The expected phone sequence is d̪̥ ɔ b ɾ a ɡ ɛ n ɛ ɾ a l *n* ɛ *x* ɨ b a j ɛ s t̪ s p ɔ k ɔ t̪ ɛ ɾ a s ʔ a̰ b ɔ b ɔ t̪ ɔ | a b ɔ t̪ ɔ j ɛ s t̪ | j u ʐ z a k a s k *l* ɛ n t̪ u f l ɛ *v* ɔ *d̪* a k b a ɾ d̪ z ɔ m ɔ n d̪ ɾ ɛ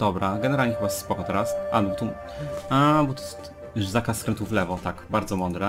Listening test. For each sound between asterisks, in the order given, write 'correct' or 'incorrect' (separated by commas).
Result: incorrect, correct, incorrect, correct, incorrect